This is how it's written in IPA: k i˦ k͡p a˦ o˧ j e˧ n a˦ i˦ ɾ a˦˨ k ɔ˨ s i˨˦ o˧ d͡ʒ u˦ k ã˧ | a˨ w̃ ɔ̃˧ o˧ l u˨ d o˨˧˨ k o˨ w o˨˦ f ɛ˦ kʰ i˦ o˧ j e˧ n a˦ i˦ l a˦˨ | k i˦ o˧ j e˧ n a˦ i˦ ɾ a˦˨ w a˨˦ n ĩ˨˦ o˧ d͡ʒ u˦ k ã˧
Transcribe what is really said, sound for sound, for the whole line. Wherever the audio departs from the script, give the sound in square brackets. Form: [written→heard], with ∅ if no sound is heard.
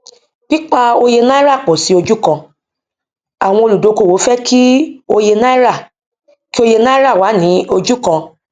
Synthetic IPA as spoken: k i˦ k͡p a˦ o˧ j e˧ n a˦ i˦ ɾ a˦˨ [k→k͡p] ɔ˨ s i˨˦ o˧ d͡ʒ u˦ k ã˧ | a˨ w̃ ɔ̃˧ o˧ l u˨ d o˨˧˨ k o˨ w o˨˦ f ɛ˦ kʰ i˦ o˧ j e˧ n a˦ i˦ [l→ɾ] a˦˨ | k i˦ o˧ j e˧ n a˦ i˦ ɾ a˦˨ w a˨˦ n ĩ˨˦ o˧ d͡ʒ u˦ k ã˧